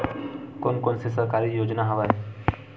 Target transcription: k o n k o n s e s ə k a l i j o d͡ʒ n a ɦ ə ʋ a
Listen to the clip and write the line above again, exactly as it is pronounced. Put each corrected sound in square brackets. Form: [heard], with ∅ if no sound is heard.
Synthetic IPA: k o n k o n s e s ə k a [ɾ] i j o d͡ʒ n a ɦ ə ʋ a